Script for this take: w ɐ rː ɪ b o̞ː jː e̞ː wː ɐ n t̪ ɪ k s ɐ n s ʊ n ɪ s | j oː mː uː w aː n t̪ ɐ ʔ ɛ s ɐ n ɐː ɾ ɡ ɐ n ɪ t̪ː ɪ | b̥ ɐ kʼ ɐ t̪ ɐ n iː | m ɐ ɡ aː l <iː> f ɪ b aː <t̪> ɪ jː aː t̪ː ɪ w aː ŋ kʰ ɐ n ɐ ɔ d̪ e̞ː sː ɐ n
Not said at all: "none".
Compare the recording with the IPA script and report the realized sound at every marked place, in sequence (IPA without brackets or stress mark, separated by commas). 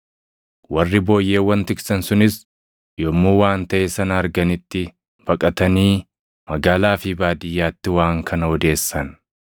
aː, d̪